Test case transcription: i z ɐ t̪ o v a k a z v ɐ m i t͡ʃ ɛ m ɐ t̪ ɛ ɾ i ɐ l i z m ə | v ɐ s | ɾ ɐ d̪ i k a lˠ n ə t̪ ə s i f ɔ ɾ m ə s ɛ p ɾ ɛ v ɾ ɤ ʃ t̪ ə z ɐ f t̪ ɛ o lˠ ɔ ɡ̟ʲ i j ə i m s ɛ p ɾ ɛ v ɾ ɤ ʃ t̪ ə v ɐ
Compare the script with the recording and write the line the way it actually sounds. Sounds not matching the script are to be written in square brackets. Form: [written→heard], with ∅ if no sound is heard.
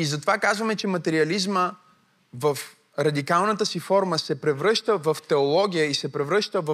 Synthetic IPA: i z ɐ t̪ o v a k a z v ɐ m [i→ɛ] t͡ʃ ɛ m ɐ t̪ ɛ ɾ i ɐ l i z m ə | v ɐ [s→f] | ɾ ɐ d̪ i k a lˠ n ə t̪ ə s i f ɔ ɾ m ə s ɛ p ɾ ɛ v ɾ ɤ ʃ t̪ ə [z→v] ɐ f t̪ ɛ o lˠ ɔ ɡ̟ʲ i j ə i [m→∅] s ɛ p ɾ ɛ v ɾ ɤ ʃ t̪ ə v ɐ